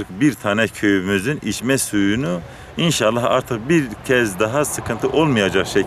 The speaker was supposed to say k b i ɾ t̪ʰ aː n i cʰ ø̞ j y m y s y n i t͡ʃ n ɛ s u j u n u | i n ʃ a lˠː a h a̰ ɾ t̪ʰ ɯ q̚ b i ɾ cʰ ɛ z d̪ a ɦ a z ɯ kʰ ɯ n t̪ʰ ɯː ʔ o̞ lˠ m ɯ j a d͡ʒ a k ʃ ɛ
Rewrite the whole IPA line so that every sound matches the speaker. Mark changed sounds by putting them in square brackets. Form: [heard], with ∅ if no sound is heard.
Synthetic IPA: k b i ɾ t̪ʰ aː n [ɛ] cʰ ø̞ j y m y [z] y n i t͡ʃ [m] ɛ s u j u n u | i n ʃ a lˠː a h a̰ ɾ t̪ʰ ɯ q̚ b i ɾ cʰ ɛ z d̪ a ɦ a [s] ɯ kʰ ɯ n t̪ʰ [ɯ] ʔ o̞ lˠ m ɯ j a d͡ʒ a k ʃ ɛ